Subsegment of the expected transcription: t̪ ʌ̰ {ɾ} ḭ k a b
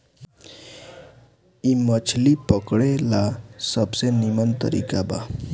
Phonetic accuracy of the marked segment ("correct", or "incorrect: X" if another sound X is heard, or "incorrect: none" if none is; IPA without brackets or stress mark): correct